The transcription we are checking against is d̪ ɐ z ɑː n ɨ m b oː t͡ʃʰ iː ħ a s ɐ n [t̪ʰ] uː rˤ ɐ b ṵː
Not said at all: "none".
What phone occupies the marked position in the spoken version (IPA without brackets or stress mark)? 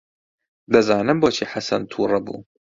t̪ʰ